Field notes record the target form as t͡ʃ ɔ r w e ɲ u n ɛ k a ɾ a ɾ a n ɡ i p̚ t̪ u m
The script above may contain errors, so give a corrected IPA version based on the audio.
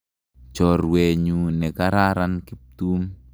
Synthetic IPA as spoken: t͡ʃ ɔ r w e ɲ u n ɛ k a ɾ a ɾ a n k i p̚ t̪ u m